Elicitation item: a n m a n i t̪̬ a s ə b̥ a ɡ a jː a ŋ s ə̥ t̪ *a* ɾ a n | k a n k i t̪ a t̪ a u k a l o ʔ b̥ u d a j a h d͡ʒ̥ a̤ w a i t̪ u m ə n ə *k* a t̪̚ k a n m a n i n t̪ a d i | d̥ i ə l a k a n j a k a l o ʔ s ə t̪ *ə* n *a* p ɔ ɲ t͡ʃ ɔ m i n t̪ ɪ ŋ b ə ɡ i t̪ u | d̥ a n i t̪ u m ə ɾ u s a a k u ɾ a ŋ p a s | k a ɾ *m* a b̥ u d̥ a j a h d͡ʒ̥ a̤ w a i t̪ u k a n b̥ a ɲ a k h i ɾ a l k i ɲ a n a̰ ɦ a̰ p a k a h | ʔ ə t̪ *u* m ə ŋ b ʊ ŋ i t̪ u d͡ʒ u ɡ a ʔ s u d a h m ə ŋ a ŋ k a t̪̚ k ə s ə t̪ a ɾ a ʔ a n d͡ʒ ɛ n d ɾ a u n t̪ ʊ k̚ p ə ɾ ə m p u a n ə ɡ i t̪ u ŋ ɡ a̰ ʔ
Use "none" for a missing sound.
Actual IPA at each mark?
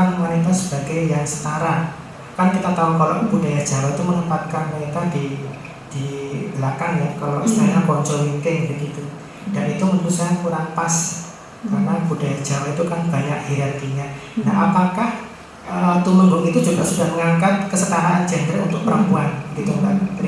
a, p, a, a, n, u

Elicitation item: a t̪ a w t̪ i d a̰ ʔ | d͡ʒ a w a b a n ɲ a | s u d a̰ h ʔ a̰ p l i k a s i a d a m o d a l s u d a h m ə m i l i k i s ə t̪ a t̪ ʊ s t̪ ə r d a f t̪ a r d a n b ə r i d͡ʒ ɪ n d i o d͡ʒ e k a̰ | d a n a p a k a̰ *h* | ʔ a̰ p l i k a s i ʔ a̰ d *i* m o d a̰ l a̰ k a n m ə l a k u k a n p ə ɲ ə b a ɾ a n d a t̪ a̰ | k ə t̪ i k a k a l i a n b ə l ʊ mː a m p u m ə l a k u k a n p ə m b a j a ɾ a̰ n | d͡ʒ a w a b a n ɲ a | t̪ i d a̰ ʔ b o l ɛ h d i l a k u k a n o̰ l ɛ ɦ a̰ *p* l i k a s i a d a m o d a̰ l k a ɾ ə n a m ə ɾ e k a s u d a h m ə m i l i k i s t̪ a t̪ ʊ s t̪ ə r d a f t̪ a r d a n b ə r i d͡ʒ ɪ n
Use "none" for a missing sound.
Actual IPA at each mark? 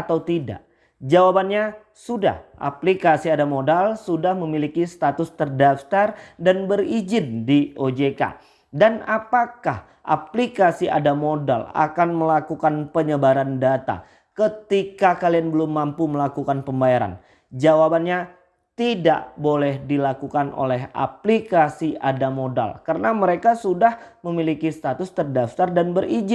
h, a, p

